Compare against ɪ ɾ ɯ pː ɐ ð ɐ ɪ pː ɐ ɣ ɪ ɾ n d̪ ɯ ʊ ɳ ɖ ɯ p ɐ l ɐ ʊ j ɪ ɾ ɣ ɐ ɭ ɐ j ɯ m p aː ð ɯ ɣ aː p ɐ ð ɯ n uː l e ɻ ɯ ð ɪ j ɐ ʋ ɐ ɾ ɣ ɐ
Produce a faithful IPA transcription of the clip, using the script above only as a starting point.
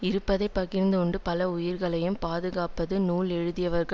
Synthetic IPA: ɪ ɾ ɯ pː ɐ ð ɐ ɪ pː ɐ ɣ ɪ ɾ n d̪ ɯ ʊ ɳ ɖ ɯ p ɐ l ɐ ʊ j ɪ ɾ ɣ ɐ ɭ ɐ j ɯ m p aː ð ɯ ɣ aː p ɐ ð ɯ n uː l ɛ ɻ ɯ ð ɪ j ɐ ʋ ɐ ɾ ɣ ɐ